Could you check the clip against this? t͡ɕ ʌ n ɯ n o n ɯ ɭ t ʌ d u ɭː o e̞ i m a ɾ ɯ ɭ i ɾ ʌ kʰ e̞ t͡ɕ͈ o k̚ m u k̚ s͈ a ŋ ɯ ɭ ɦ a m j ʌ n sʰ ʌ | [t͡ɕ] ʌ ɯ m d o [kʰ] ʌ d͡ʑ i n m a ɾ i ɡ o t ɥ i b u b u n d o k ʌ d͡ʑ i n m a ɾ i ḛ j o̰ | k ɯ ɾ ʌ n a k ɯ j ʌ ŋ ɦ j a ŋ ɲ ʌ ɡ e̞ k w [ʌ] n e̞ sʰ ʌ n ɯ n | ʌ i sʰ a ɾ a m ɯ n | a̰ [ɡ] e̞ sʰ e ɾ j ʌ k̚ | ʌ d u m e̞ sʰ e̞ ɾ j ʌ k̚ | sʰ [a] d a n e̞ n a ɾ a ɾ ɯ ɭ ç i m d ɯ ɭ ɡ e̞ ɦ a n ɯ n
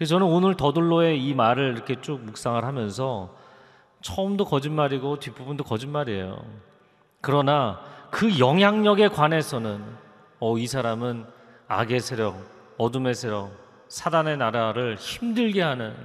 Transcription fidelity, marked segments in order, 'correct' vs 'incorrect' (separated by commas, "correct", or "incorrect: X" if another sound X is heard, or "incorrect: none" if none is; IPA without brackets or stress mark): incorrect: t͡ɕʰ, incorrect: k, incorrect: a, correct, correct